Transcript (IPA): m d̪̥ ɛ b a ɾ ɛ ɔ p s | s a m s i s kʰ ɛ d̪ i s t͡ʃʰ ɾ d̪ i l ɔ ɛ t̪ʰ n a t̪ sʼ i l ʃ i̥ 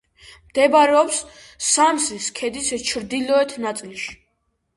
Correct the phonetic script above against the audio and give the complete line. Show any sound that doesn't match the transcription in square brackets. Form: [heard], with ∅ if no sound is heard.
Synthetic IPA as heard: m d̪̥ ɛ b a ɾ ɛ ɔ p s | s a m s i s kʰ ɛ d̪ i s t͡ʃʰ ɾ d̪ i l ɔ ɛ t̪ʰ n a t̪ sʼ i l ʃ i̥